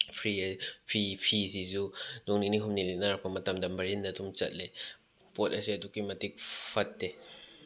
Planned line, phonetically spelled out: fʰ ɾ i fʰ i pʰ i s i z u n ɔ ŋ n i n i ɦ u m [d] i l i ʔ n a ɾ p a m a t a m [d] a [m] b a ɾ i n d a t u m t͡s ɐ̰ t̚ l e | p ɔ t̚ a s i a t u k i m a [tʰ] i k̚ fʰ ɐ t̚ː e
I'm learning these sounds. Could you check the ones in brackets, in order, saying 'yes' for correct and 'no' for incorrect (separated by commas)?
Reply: no, yes, yes, no